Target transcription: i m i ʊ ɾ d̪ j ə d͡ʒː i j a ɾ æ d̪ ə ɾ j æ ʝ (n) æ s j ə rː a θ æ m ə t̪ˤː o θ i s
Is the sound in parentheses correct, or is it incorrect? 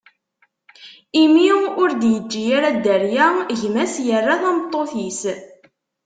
incorrect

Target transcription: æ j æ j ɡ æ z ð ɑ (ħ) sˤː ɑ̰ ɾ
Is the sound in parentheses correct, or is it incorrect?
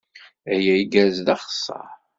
incorrect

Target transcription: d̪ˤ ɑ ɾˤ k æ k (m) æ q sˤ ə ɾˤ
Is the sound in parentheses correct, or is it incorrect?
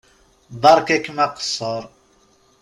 correct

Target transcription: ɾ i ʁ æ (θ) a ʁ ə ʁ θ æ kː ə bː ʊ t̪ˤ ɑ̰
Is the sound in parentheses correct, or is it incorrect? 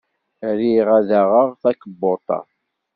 incorrect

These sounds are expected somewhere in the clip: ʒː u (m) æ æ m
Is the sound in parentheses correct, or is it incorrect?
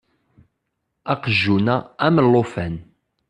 incorrect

